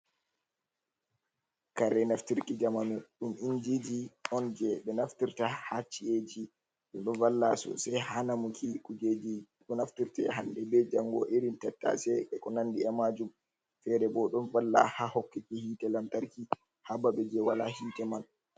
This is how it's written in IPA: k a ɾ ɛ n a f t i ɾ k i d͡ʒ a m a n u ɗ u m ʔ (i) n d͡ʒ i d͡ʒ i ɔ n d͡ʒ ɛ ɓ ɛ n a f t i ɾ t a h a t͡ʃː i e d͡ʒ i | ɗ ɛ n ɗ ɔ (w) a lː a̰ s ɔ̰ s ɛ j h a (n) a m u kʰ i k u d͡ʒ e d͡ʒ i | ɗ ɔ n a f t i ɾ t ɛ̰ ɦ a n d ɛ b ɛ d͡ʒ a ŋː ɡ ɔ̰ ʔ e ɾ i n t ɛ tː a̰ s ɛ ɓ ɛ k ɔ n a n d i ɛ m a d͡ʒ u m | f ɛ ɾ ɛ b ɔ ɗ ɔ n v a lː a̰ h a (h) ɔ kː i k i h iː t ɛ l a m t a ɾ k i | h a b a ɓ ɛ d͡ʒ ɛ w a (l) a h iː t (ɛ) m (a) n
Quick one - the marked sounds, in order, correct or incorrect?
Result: correct, incorrect, correct, correct, correct, correct, correct

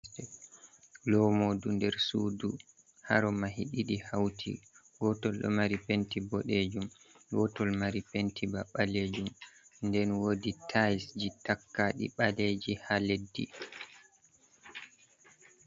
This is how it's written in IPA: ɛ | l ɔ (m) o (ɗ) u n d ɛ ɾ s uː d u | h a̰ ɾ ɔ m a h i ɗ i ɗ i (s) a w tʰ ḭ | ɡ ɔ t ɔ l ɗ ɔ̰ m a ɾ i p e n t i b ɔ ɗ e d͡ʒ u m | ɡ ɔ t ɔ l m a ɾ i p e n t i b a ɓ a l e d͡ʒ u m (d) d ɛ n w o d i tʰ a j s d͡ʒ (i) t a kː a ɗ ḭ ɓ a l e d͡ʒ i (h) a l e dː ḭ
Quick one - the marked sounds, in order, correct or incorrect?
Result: correct, incorrect, incorrect, incorrect, correct, correct

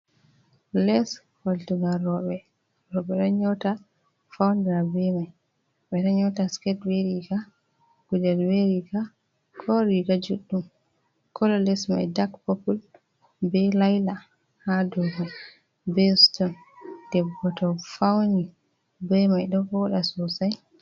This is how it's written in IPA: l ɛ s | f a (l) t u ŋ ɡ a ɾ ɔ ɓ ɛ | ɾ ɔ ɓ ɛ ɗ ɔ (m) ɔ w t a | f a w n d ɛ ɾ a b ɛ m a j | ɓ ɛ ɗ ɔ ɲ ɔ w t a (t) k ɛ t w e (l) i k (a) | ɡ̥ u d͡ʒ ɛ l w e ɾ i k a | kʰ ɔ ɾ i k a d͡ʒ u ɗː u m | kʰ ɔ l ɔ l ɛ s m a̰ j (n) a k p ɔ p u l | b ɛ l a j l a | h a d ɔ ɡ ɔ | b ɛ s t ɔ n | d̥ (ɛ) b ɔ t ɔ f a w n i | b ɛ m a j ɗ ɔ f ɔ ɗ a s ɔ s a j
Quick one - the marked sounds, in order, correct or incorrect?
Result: correct, incorrect, incorrect, incorrect, correct, incorrect, correct

